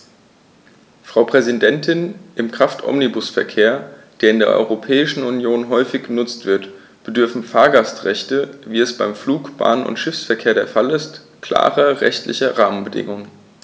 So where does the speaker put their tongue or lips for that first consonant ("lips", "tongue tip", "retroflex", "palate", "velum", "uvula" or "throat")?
lips